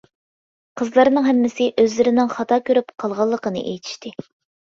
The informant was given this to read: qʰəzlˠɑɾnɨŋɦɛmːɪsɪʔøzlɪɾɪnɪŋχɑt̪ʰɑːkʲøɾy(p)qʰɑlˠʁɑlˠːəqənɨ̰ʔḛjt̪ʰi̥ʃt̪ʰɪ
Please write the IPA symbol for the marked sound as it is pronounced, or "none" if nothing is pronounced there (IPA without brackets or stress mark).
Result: p